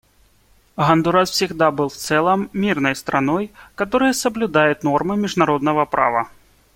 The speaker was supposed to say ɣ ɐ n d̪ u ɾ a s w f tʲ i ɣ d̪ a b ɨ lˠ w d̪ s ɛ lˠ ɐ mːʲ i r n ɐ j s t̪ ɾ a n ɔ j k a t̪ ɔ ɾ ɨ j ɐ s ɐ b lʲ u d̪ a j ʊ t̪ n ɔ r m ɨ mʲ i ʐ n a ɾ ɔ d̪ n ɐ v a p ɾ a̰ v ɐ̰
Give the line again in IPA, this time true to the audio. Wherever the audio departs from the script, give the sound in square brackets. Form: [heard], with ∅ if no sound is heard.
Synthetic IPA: ɣ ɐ n d̪ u ɾ a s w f [sʲ] i ɣ d̪ a b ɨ lˠ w [t̪] s ɛ lˠ ɐ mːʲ i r n ɐ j s t̪ ɾ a n ɔ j k a t̪ ɔ ɾ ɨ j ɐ s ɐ b lʲ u d̪ a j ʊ t̪ n ɔ r m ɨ mʲ i ʐ n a ɾ ɔ d̪ n ɐ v [ɐ] p ɾ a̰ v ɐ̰

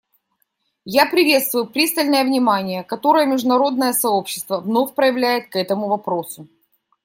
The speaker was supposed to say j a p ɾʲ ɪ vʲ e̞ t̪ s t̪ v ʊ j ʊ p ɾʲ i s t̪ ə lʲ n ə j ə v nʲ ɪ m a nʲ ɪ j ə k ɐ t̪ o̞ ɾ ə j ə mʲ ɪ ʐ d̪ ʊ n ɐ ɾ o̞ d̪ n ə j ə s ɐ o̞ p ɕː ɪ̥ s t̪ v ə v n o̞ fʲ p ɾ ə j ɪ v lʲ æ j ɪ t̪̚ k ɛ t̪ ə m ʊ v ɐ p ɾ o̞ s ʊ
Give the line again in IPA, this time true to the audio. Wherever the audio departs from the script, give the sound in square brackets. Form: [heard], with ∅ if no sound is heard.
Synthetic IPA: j a p ɾʲ ɪ vʲ e̞ t̪ s t̪ v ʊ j ʊ p ɾʲ i s t̪ ə lʲ n ə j ə v nʲ ɪ m a nʲ ɪ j ə k ɐ t̪ o̞ ɾ ə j ə mʲ ɪ ʐ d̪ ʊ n ɐ ɾ o̞ d̪ n ə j ə s ɐ o̞ p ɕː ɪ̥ s t̪ v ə v n o̞ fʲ p ɾ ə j ɪ v lʲ æ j ɪ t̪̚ k ɛ t̪ ə m ʊ v ɐ p ɾ o̞ s ʊ

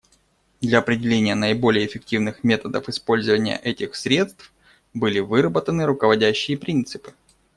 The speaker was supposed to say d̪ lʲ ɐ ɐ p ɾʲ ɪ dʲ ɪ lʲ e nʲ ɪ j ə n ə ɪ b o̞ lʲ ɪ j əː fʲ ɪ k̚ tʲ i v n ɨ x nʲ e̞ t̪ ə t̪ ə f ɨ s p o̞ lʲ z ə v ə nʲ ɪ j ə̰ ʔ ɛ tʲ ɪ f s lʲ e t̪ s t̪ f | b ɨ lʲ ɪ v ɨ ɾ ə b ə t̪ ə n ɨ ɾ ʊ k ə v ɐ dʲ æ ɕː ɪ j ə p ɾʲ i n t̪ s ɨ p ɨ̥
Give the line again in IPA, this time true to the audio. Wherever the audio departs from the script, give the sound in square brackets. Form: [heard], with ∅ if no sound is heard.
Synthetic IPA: d̪ lʲ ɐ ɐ p ɾʲ ɪ dʲ ɪ lʲ e nʲ ɪ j ə n ə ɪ b o̞ lʲ ɪ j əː fʲ ɪ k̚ tʲ i v n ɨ x [mʲ] e̞ t̪ ə [d̪] ə f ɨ s p o̞ lʲ z ə v ə nʲ ɪ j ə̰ ʔ ɛ tʲ ɪ [x] s [ɾʲ] e t̪ s t̪ f | b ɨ lʲ ɪ v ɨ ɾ ə b ə t̪ ə n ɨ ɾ ʊ k ə v ɐ dʲ æ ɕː ɪ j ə p ɾʲ i n t̪ s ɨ p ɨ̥

